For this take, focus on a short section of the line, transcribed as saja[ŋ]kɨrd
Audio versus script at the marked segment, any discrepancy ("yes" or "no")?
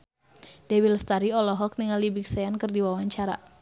yes